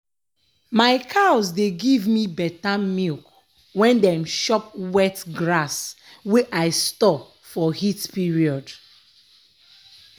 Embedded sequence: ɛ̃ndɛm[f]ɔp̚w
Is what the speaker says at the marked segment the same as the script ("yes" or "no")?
no